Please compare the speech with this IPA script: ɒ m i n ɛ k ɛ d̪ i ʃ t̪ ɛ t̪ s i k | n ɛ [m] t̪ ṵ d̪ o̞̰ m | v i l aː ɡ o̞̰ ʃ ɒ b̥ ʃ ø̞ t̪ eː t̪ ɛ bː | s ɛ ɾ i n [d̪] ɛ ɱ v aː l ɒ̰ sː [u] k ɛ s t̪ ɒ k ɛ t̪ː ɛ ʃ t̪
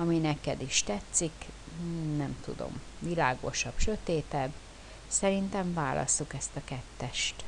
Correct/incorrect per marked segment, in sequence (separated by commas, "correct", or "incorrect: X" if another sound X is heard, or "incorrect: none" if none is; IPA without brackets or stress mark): correct, incorrect: t̪, correct